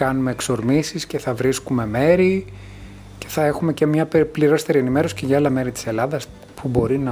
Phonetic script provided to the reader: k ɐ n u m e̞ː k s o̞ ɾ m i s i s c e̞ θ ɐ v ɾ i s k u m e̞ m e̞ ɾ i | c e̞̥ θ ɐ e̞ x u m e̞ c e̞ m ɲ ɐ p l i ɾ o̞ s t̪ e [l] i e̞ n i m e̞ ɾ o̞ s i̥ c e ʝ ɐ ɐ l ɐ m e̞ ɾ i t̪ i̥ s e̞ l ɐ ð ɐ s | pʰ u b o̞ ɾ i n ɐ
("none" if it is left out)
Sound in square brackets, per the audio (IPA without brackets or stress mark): ɾ